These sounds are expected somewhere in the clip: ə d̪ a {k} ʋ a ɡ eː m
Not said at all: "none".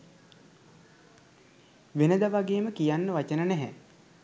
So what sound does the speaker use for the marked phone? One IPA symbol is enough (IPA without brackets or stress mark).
none